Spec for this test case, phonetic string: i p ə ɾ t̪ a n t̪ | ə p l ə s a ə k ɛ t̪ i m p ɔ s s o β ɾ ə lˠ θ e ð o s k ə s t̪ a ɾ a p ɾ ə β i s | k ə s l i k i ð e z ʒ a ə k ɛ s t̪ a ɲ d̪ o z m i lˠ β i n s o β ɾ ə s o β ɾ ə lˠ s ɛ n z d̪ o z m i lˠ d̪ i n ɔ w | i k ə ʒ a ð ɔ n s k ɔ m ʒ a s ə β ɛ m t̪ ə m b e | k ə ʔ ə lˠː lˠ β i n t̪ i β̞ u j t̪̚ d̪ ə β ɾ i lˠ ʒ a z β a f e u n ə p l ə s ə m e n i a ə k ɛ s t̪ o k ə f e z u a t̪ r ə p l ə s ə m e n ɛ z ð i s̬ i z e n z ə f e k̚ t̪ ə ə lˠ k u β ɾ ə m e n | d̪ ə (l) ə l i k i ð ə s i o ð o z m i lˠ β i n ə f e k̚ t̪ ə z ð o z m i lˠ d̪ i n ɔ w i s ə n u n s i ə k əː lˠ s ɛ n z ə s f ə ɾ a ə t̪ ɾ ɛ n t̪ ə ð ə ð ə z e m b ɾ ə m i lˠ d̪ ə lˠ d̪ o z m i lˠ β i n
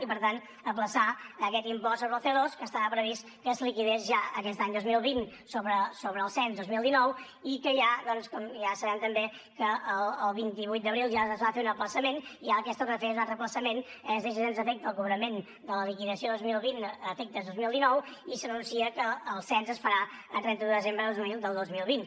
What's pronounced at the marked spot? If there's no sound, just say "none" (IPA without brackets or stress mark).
l